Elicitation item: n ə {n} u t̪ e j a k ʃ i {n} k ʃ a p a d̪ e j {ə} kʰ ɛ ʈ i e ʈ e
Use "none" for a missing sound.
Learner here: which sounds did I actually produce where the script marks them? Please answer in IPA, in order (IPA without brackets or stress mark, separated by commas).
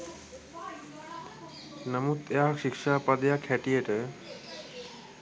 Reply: m, none, a